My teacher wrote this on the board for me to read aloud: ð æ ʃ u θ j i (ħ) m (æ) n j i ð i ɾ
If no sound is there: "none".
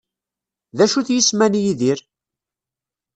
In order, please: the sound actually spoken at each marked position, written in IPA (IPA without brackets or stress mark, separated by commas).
s, æ